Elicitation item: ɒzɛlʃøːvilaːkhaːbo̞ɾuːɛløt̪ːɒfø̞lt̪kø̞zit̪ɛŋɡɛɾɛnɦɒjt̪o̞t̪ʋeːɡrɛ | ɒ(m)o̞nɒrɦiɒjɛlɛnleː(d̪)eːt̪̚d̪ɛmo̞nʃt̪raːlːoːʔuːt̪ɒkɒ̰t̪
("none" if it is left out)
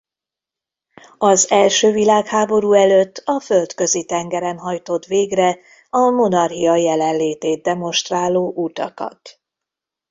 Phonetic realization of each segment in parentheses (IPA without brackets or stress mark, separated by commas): m, t̪